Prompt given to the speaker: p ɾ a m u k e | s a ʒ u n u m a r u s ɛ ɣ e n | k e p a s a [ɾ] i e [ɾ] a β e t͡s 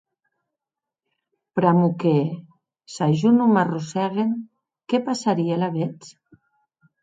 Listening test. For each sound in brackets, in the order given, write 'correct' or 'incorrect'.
correct, incorrect: l

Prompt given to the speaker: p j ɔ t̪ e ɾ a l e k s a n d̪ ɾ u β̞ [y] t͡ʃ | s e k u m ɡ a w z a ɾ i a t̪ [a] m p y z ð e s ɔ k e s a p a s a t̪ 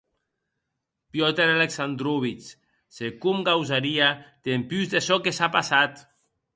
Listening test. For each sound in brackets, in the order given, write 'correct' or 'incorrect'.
incorrect: i, incorrect: e

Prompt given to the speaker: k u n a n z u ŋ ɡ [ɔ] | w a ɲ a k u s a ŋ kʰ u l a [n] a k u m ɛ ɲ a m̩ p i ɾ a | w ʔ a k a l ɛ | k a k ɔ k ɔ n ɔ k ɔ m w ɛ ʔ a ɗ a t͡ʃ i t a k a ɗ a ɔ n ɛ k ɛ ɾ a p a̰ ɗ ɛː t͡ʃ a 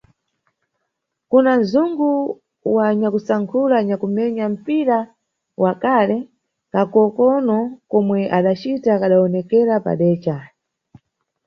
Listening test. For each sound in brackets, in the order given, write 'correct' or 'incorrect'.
incorrect: u, incorrect: ɲ

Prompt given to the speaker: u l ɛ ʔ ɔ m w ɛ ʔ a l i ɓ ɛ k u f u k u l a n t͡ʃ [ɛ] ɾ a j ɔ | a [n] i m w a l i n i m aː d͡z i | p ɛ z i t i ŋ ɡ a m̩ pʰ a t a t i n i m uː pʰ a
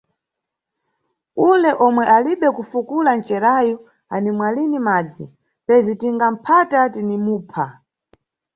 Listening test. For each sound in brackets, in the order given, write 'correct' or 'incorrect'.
correct, correct

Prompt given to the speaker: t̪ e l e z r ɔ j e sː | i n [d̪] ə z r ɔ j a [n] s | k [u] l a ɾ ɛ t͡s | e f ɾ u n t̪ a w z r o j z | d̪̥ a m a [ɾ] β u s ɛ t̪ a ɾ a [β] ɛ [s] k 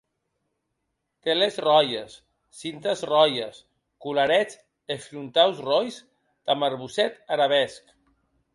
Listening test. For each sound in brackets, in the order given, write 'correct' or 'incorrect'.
incorrect: t̪, incorrect: none, correct, correct, correct, correct

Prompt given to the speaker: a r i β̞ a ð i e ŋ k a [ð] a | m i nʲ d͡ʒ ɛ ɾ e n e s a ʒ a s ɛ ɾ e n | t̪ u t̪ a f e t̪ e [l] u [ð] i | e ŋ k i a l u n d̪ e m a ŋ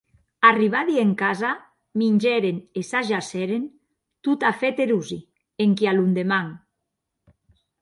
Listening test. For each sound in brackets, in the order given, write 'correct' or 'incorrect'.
incorrect: z, incorrect: ɾ, incorrect: z

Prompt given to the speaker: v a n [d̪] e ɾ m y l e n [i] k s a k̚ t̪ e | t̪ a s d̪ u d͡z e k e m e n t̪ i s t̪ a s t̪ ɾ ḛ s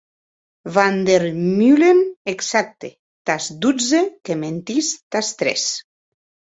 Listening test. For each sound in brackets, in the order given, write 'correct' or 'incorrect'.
correct, incorrect: e

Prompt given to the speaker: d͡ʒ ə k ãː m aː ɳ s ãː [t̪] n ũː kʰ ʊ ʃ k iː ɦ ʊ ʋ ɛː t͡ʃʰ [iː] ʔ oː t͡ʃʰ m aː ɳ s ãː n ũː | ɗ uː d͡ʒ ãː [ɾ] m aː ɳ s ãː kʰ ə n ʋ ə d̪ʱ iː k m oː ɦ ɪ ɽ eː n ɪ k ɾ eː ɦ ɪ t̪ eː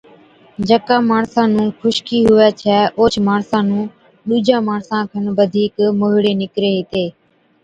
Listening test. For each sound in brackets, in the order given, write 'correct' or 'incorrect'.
incorrect: none, incorrect: ɛː, incorrect: none

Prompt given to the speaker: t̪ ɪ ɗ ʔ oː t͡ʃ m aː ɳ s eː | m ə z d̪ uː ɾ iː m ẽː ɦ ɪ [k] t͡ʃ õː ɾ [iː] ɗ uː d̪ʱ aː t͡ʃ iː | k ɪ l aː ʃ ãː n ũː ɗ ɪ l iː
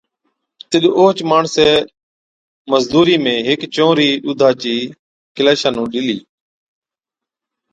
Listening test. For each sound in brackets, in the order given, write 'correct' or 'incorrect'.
correct, correct

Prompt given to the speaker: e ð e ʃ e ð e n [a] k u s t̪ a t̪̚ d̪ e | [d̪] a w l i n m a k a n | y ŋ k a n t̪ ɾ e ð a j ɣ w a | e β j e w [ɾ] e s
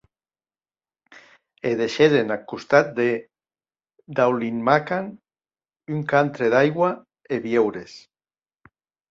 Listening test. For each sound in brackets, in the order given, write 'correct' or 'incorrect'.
correct, correct, correct

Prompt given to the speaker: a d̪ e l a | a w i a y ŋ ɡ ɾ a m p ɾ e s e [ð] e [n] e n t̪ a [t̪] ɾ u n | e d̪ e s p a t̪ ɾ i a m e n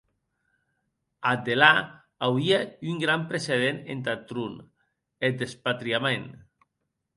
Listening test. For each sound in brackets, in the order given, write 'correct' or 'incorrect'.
correct, correct, correct

